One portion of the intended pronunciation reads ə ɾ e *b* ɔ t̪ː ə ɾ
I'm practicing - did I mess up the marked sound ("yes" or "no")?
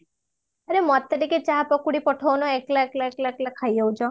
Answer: yes